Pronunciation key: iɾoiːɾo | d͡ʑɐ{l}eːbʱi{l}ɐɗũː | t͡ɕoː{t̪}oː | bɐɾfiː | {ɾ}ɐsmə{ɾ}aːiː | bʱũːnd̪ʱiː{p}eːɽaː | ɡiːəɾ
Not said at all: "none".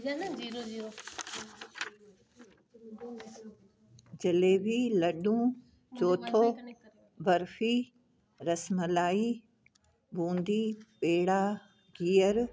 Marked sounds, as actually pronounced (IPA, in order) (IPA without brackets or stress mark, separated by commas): l, l, t̪ʰ, ɾ, l, p